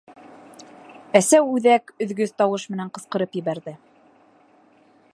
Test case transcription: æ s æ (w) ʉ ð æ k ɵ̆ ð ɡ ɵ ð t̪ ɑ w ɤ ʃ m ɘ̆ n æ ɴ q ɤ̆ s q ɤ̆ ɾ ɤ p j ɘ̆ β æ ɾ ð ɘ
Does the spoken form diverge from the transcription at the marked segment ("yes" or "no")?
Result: no